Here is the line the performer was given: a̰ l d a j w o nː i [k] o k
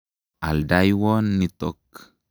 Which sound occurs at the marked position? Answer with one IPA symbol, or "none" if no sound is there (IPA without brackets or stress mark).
t